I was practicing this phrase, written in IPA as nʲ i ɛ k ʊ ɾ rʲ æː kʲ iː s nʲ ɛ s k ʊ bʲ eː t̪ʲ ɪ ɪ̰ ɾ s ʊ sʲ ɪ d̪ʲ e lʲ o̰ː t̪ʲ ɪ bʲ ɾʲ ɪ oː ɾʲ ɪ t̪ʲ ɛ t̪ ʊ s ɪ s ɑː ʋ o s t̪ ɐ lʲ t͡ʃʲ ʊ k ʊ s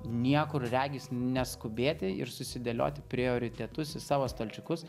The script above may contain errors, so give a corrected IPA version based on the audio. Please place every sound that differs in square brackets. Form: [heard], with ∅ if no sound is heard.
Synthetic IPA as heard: nʲ i ɛ k ʊ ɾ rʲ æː [ɡʲ] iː s nʲ ɛ s k ʊ bʲ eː t̪ʲ ɪ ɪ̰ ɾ s ʊ sʲ ɪ d̪ʲ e lʲ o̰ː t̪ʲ ɪ [pʲ] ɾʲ ɪ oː ɾʲ ɪ t̪ʲ ɛ t̪ ʊ s ɪ s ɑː ʋ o s t̪ ɐ lʲ t͡ʃʲ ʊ k ʊ s